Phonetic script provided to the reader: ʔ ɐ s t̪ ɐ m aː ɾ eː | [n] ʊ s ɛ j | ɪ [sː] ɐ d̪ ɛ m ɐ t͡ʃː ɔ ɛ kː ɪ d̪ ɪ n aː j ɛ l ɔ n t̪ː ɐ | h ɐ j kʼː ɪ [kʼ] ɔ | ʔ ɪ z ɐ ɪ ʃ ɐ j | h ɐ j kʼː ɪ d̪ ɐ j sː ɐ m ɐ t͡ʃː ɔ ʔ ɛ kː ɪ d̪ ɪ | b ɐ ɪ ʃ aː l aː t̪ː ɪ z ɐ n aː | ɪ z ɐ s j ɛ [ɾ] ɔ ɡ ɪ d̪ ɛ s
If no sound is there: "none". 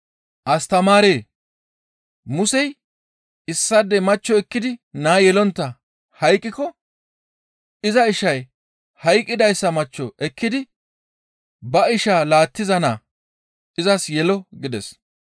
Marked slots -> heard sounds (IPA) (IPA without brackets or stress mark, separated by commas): m, sː, k, l